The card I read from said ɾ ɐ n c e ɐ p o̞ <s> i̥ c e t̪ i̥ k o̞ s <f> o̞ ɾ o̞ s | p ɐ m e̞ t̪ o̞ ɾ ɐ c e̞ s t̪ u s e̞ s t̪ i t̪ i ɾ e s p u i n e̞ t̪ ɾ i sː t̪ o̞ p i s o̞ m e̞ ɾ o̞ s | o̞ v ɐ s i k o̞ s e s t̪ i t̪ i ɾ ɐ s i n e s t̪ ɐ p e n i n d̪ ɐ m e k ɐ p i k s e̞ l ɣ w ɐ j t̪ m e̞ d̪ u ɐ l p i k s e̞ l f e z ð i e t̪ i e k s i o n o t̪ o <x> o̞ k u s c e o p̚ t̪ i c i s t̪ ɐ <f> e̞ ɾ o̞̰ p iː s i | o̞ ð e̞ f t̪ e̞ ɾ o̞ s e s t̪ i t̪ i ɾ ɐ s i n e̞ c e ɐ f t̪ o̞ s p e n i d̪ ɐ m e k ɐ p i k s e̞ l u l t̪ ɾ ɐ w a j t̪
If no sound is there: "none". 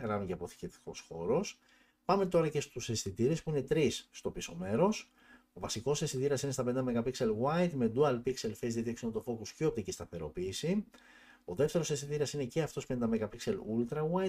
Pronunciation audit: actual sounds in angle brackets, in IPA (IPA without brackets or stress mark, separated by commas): θ, x, f, θ